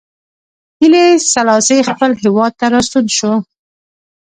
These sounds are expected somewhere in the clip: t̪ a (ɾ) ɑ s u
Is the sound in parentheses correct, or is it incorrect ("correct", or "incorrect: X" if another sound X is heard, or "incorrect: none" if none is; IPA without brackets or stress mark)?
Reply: correct